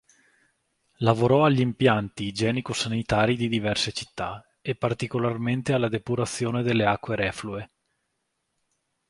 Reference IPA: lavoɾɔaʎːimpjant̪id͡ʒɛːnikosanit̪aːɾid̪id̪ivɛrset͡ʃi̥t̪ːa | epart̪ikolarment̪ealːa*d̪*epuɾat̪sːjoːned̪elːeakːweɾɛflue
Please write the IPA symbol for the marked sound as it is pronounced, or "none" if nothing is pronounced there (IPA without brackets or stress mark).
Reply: d̪